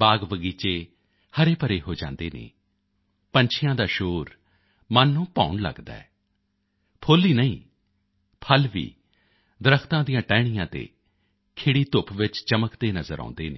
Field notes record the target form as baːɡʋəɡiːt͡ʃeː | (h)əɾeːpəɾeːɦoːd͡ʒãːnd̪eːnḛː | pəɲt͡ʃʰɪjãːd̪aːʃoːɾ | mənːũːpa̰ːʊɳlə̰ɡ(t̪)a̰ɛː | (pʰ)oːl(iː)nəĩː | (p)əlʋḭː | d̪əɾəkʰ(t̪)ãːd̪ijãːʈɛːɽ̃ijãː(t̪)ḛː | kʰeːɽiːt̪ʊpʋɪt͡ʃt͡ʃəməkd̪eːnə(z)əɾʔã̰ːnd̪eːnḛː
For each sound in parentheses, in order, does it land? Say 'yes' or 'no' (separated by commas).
yes, no, yes, yes, no, yes, yes, yes